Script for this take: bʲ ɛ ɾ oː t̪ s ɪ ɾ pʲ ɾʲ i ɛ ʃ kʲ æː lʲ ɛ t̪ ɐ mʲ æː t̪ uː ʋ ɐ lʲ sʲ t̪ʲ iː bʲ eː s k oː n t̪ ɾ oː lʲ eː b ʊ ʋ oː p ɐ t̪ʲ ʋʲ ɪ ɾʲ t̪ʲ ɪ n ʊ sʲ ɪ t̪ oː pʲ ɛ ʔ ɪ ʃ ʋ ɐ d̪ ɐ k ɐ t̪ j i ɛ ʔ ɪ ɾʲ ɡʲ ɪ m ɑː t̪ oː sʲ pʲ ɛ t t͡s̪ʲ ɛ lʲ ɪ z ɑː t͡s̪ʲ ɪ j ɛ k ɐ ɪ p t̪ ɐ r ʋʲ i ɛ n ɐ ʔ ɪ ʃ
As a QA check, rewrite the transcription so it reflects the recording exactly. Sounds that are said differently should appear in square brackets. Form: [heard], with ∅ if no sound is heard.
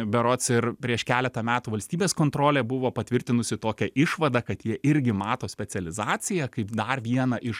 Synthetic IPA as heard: bʲ ɛ ɾ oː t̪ s ɪ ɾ pʲ ɾʲ i ɛ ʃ kʲ æː lʲ ɛ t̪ ɐ mʲ æː t̪ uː ʋ ɐ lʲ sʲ t̪ʲ iː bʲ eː s k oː n t̪ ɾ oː lʲ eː b ʊ ʋ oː p ɐ t̪ʲ ʋʲ ɪ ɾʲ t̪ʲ ɪ n ʊ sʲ ɪ t̪ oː [kʲ] ɛ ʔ ɪ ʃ ʋ ɐ d̪ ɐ k ɐ t̪ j i ɛ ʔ ɪ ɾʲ ɡʲ ɪ m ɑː t̪ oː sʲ pʲ ɛ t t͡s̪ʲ ɛ lʲ ɪ z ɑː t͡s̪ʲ ɪ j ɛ k ɐ ɪ p [d̪] ɐ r ʋʲ i ɛ n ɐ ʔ ɪ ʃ